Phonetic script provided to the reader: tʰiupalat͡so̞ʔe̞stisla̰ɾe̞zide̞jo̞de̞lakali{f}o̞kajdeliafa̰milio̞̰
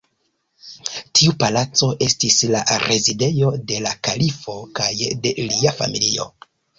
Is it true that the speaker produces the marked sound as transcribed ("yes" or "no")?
yes